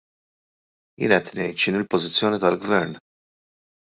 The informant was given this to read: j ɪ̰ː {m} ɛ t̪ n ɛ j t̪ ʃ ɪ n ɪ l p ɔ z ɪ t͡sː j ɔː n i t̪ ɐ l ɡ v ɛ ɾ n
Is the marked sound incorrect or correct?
incorrect